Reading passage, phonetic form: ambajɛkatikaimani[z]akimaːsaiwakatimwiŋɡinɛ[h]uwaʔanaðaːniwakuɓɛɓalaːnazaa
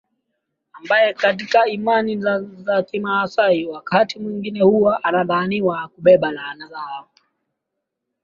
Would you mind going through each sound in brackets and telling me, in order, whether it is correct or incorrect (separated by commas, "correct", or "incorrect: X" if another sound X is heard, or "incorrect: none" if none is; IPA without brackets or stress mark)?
correct, correct